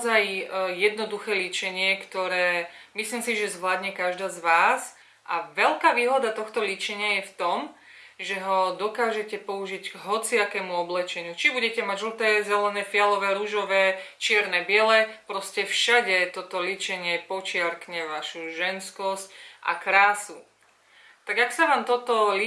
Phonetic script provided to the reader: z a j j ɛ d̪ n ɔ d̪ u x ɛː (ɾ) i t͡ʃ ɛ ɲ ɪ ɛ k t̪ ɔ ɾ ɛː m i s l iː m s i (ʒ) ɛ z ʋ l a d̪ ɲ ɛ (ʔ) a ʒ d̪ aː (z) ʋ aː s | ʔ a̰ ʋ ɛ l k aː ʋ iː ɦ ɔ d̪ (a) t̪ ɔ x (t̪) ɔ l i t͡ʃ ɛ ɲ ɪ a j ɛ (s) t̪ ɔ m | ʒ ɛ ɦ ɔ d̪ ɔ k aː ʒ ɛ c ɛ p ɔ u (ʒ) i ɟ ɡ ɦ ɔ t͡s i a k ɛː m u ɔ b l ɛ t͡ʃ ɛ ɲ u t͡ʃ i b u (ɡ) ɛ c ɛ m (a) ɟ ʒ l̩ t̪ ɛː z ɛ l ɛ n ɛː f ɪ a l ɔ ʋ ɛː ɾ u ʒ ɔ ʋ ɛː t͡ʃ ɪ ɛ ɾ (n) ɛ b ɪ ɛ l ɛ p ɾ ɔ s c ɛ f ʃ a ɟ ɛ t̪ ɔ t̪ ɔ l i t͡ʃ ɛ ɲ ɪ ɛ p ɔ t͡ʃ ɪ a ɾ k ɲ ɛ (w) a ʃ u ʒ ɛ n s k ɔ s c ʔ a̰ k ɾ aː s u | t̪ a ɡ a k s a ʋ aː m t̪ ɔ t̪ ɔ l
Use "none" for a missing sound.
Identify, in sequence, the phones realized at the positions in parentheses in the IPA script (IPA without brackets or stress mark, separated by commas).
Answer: l, ʒ, k, z, a, t̪, f, ʒ, ɟ, a, n, ʋ